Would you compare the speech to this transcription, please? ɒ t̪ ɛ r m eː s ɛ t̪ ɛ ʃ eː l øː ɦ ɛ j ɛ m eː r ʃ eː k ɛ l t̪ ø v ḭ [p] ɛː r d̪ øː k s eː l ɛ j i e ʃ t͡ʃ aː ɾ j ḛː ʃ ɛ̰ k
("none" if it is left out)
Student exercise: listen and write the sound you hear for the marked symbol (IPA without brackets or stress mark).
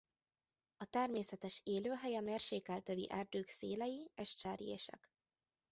ʔ